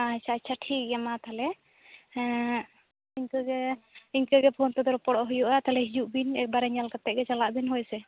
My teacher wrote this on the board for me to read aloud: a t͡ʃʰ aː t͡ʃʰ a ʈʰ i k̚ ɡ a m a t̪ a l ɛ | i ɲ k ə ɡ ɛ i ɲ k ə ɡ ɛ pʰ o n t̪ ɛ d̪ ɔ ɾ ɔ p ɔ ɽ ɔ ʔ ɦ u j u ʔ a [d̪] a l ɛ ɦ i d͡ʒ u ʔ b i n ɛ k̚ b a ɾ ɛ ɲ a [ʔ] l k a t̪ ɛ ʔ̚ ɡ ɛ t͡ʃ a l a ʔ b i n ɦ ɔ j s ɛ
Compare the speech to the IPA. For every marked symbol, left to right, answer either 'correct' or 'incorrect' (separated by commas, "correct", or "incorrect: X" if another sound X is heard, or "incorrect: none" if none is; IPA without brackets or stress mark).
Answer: incorrect: t̪, incorrect: none